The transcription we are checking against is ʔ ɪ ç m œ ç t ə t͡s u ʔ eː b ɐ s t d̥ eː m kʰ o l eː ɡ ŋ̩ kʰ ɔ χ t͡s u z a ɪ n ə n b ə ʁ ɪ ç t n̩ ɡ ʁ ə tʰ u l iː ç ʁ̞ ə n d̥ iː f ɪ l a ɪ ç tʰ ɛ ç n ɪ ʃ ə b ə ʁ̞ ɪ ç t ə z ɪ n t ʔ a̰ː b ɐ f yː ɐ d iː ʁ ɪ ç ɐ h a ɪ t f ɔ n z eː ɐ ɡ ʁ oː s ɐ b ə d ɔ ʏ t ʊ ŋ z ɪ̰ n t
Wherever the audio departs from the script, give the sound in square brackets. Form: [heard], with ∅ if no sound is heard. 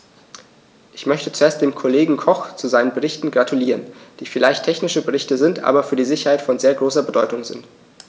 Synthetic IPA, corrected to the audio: ʔ ɪ ç m œ ç t ə t͡s u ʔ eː [∅] ɐ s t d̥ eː m kʰ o l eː ɡ ŋ̩ kʰ ɔ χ t͡s u z a ɪ n ə n b ə ʁ ɪ ç t n̩ ɡ ʁ [a] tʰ u l iː [∅] ʁ̞ ə n d̥ iː f ɪ l a ɪ ç tʰ ɛ ç n ɪ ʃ ə b ə ʁ̞ ɪ ç t ə z ɪ n t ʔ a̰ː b ɐ f yː ɐ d iː [z] ɪ ç ɐ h a ɪ t f ɔ n z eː ɐ ɡ ʁ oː s ɐ b ə d ɔ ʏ t ʊ ŋ z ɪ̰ n t